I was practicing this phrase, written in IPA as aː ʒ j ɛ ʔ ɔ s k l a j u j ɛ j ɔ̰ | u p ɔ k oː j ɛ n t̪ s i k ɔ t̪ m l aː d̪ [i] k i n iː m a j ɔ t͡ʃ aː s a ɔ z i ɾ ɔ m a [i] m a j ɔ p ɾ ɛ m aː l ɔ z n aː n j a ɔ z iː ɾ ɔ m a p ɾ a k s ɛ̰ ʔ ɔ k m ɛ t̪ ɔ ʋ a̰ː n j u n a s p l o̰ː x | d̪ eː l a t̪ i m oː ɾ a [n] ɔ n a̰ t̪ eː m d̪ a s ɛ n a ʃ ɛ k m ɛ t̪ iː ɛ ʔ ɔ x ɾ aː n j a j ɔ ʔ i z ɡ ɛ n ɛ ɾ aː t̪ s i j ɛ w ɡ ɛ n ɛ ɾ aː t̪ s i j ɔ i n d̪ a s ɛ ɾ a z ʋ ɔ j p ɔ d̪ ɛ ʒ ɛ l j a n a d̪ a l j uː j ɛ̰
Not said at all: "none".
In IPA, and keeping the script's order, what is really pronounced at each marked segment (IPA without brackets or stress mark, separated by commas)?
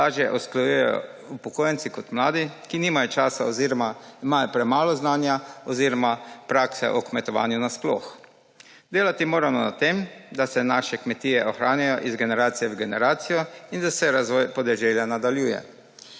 i, i, m